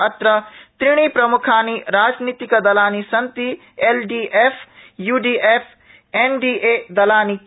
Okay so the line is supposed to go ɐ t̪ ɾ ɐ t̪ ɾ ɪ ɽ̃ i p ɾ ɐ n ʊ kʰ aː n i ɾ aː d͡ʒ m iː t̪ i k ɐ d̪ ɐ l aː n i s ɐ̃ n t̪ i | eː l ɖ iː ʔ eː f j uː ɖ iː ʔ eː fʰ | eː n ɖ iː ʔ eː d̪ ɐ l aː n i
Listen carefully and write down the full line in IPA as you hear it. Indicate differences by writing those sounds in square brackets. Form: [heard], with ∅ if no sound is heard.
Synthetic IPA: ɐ t̪ ɾ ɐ t̪ ɾ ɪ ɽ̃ i p ɾ ɐ [m] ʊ kʰ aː n i ɾ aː d͡ʒ [n] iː t̪ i k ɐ d̪ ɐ l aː n i s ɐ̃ n t̪ i | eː l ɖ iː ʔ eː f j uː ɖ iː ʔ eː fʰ | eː n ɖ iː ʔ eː d̪ ɐ l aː n i